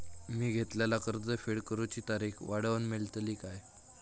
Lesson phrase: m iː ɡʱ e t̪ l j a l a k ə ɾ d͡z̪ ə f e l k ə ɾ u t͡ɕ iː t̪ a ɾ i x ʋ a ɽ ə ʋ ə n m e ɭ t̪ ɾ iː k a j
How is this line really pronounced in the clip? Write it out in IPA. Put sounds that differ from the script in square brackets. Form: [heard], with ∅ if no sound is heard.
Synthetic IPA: m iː ɡʱ e t̪ l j a l a k ə ɾ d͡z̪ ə f e [ɽ] k ə ɾ u t͡ɕ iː t̪ a ɾ i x ʋ a ɽ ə ʋ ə n m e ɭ t̪ [l] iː k a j